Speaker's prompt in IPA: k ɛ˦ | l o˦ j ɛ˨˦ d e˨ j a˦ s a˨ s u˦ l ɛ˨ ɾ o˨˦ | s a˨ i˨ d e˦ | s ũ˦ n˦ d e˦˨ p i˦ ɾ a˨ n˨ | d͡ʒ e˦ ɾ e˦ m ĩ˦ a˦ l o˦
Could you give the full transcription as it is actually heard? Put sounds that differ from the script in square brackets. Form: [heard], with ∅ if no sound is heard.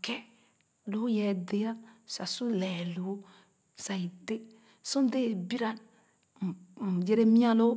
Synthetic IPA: k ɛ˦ | l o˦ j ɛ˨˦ d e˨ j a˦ s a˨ s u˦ l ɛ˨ [l] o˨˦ | s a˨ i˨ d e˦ | s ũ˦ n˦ d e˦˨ [b] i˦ ɾ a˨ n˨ | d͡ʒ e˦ ɾ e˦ m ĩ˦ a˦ l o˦